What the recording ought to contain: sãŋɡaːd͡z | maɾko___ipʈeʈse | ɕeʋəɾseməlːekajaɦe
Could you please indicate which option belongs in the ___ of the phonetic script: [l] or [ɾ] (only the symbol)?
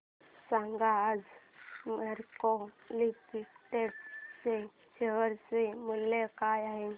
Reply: l